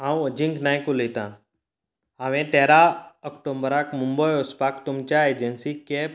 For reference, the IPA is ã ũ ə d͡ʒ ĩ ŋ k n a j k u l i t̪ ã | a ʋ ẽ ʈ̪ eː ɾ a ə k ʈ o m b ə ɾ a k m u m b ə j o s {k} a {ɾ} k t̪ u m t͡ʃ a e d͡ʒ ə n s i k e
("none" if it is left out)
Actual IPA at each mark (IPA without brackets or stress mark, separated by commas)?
p, none